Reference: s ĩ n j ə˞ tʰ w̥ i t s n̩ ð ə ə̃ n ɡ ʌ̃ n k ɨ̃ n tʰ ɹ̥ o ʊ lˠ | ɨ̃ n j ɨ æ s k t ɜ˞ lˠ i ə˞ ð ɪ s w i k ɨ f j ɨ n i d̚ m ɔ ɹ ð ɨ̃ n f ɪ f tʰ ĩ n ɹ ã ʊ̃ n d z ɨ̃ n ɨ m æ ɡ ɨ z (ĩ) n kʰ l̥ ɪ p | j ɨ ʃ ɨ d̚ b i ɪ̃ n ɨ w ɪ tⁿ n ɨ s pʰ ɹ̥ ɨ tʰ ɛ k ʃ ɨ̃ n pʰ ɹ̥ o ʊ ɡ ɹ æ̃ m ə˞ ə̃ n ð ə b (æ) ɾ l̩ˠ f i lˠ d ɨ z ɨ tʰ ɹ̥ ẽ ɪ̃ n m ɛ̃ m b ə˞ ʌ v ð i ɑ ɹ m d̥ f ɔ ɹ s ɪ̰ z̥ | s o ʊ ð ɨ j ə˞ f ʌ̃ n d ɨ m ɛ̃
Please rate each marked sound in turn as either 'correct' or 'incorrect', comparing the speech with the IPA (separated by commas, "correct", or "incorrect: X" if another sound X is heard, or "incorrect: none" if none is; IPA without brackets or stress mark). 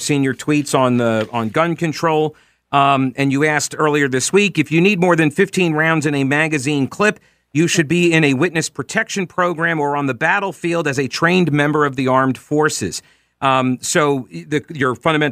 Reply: correct, correct